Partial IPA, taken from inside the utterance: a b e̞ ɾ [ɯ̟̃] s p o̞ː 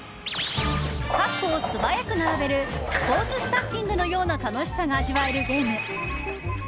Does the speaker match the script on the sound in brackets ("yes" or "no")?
no